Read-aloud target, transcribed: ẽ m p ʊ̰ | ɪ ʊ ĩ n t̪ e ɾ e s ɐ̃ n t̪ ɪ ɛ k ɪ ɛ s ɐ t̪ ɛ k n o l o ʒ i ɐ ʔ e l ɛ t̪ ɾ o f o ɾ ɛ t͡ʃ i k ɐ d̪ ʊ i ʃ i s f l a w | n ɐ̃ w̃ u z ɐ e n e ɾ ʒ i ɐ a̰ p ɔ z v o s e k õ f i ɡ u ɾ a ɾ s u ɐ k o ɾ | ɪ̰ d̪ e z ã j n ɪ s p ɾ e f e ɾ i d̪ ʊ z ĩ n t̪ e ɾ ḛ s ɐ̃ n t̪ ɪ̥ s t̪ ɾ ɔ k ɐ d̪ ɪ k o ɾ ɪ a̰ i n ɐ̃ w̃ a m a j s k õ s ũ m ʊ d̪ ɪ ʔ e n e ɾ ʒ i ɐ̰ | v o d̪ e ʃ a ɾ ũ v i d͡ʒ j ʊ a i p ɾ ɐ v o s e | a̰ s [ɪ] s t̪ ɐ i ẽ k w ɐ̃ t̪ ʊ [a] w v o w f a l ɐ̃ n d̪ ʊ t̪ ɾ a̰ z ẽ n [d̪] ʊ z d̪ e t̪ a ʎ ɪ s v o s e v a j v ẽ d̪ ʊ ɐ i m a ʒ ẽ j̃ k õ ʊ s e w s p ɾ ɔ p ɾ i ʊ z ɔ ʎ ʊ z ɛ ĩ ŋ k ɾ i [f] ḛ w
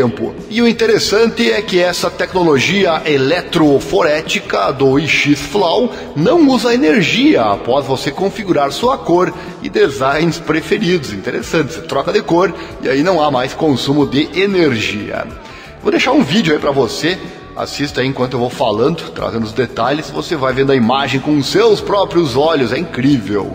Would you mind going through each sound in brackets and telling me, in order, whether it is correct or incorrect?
incorrect, incorrect, correct, incorrect

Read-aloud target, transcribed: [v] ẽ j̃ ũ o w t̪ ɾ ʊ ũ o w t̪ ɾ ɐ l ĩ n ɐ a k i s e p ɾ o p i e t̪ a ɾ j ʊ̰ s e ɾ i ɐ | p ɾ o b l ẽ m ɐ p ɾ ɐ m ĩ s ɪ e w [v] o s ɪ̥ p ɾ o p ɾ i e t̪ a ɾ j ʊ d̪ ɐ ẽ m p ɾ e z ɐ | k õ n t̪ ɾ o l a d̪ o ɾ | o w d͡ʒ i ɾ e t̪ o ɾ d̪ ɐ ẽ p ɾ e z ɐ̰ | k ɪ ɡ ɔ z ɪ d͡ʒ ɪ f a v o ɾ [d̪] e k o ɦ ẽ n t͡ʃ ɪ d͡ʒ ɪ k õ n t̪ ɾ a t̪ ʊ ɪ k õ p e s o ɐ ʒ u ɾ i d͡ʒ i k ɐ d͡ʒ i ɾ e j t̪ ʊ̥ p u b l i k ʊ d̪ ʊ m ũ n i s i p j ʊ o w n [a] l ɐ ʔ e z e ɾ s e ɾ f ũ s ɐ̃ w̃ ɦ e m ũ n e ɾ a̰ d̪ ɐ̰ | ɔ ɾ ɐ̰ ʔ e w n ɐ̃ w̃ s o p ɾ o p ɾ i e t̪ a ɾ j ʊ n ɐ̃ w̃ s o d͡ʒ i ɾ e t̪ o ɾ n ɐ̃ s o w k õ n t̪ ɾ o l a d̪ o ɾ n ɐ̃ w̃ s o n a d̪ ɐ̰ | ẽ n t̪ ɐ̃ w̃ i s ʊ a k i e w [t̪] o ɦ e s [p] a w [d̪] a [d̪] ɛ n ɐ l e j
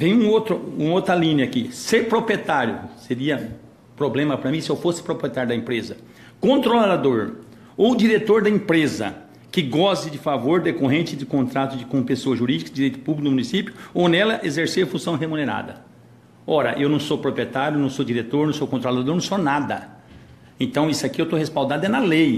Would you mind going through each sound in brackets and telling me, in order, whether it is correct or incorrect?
correct, incorrect, correct, incorrect, correct, correct, correct, correct

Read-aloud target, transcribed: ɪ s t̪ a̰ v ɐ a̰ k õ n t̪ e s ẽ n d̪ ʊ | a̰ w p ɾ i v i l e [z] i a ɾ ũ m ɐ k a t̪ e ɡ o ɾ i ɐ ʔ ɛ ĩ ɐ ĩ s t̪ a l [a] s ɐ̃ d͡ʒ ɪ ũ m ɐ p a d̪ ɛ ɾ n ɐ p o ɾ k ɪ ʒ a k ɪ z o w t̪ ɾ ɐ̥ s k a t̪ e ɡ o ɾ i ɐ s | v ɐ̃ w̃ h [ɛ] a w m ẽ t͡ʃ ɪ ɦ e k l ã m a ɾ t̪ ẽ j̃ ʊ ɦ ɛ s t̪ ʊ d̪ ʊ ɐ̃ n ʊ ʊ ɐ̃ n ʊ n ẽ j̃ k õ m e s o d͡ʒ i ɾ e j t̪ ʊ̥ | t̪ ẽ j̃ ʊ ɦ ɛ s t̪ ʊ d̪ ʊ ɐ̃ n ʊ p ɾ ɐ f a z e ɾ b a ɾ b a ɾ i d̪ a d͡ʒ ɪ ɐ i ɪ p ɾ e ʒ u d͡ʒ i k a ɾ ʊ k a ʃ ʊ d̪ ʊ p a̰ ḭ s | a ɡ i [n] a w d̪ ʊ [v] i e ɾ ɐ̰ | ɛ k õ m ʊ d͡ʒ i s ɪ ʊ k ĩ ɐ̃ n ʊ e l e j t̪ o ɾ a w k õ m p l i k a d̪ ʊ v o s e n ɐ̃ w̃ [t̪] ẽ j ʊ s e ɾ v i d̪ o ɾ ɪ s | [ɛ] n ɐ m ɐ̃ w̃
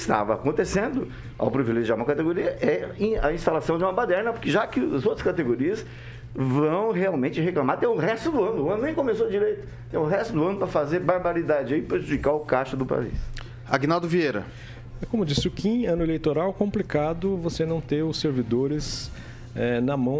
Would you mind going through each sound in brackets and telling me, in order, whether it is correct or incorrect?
incorrect, correct, incorrect, correct, correct, correct, correct

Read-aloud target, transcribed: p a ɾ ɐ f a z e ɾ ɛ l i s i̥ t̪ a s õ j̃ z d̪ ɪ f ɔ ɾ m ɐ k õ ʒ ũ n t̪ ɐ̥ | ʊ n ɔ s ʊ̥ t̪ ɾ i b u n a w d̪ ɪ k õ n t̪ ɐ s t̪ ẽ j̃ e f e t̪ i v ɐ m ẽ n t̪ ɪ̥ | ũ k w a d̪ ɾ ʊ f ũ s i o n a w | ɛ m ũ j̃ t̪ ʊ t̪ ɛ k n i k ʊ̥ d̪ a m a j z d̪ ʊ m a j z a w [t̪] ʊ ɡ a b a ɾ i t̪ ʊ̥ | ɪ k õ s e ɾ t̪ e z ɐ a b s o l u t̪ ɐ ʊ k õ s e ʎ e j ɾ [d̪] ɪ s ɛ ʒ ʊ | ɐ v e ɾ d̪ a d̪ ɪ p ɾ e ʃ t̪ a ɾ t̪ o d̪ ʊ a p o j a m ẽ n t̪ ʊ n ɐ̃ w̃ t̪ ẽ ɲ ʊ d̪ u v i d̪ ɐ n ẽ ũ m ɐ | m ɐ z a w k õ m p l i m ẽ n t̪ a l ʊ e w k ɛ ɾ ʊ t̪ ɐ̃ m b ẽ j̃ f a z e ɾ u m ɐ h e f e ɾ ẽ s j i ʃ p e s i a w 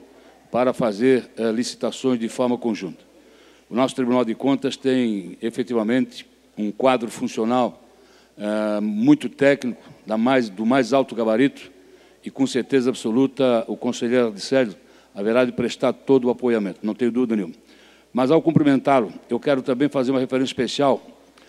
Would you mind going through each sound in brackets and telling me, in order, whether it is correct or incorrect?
correct, correct

